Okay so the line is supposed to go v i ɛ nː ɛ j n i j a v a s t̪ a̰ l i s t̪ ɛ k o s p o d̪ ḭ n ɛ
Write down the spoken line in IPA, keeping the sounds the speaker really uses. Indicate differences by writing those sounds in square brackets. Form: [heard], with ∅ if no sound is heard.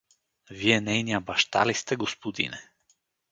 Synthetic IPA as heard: v i ɛ [n] ɛ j n i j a [b] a [ʃ] t̪ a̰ l i s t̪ ɛ [ɡ] o s p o d̪ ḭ n ɛ